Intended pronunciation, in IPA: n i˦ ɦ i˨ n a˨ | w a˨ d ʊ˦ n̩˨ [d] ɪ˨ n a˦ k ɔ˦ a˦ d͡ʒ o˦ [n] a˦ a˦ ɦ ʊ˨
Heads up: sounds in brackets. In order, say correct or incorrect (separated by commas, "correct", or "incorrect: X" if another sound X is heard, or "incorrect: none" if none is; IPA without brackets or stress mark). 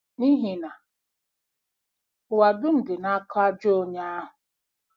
correct, incorrect: ɲ